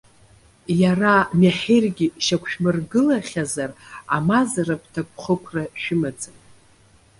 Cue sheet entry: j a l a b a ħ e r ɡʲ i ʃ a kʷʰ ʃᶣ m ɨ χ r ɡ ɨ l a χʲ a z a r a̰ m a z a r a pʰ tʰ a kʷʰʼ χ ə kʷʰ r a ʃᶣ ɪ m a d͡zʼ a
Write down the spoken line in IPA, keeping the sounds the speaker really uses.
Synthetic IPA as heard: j a r a m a ħ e r ɡʲ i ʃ a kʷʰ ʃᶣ m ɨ r ɡ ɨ l a χʲ a z a r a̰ m a z a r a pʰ tʰ a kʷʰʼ χ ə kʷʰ r a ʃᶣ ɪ m a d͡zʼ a